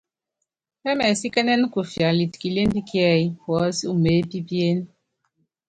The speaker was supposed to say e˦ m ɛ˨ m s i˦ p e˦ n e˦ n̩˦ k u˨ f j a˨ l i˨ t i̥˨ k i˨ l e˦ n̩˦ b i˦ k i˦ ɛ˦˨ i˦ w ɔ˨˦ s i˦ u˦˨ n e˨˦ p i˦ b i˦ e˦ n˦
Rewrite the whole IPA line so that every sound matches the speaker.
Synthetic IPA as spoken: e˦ m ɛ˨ s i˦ k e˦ n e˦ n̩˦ k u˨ f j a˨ l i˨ t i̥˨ k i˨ l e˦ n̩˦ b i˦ k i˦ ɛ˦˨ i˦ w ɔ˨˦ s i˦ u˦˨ m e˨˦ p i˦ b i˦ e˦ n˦

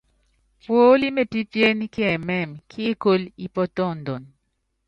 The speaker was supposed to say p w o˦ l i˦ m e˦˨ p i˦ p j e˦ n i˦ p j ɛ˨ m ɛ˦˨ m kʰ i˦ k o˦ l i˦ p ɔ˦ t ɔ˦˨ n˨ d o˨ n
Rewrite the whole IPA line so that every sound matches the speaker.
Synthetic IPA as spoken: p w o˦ l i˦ m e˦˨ p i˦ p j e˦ n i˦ k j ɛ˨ m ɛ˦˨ m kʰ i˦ k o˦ l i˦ p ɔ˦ t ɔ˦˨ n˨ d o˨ n

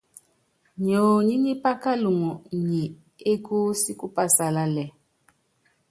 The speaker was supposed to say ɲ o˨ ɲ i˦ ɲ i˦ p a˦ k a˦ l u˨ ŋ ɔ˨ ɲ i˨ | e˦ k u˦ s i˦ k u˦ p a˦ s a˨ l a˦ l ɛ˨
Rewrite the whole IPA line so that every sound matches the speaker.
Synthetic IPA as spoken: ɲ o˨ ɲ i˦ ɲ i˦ p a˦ k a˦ l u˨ ŋ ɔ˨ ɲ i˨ | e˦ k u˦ s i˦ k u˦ p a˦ s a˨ l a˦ l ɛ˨

